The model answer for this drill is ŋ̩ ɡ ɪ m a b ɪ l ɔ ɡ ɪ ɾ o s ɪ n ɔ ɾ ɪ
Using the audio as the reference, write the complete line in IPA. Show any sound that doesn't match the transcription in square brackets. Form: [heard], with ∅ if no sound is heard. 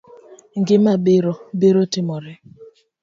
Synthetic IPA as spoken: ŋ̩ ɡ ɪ m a b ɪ [ɾ] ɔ [b] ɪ ɾ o [t] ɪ [m] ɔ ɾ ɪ